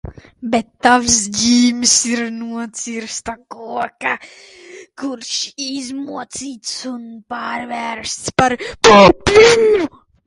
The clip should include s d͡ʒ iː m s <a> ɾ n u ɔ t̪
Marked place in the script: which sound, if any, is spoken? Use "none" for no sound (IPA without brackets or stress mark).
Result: i